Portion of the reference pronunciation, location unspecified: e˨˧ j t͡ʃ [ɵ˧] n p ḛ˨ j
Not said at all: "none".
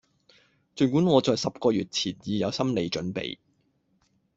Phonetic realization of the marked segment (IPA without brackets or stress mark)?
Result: ɵ˨˥